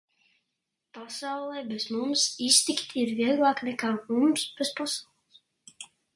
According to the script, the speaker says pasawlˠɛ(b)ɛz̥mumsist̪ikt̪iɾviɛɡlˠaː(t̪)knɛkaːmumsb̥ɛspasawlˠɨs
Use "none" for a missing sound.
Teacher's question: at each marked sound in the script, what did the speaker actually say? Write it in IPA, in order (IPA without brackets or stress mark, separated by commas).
b, none